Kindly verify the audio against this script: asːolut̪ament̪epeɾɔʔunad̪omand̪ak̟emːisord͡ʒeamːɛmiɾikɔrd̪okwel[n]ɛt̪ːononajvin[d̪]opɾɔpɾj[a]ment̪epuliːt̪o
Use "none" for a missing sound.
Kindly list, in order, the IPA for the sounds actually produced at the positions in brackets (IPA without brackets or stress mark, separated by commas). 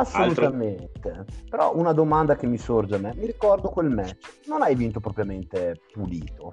m, t̪, a